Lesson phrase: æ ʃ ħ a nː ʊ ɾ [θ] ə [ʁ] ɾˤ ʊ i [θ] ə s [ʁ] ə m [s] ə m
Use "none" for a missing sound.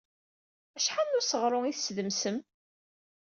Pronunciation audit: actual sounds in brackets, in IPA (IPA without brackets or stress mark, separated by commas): s, ʁ, θ, ð, s